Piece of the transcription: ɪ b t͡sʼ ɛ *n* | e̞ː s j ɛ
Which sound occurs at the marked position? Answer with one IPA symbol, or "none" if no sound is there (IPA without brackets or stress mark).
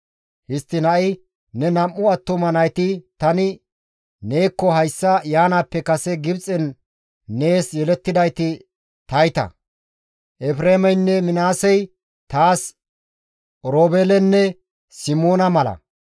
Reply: nː